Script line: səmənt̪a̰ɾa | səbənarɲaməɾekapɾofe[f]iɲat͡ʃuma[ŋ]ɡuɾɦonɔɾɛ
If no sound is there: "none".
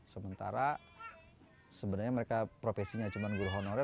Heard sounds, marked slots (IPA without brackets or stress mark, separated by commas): s, n